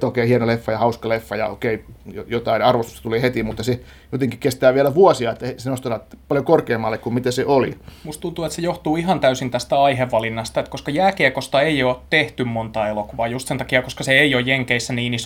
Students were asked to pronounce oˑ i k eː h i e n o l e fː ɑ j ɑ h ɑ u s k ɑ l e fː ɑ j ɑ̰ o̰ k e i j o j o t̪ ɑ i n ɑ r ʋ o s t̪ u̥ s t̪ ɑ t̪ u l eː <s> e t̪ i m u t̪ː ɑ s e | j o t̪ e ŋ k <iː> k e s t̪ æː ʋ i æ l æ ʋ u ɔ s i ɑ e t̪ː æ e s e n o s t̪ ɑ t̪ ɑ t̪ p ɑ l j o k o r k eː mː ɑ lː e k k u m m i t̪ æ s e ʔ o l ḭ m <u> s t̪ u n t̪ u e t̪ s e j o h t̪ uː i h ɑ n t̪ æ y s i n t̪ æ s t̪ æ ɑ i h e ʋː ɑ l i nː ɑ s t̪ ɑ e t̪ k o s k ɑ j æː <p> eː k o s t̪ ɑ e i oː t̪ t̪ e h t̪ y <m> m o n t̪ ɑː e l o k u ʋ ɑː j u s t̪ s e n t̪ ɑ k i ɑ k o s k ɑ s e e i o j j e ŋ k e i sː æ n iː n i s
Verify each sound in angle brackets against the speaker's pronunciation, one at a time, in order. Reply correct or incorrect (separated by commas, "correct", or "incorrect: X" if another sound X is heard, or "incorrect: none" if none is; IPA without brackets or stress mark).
incorrect: h, incorrect: i, correct, incorrect: k, correct